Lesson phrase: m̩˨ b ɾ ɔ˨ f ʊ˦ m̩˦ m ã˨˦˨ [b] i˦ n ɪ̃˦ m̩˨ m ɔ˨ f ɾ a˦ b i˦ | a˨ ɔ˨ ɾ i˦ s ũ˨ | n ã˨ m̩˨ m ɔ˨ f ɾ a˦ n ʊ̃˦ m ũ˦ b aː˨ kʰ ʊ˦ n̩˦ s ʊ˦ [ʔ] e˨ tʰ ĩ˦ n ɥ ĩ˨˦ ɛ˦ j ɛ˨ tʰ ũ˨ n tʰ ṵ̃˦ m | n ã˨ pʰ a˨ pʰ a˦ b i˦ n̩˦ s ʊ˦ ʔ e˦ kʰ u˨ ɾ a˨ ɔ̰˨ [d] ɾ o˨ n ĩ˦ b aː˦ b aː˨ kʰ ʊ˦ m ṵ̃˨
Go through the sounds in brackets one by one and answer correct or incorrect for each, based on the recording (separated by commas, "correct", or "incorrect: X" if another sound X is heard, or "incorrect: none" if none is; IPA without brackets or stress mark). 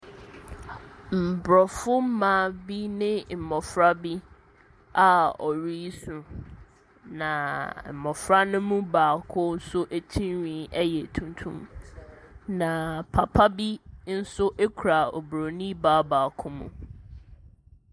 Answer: correct, correct, incorrect: b